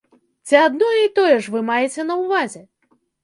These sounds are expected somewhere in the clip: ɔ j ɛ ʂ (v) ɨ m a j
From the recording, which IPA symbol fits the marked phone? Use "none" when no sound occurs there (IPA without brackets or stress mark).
v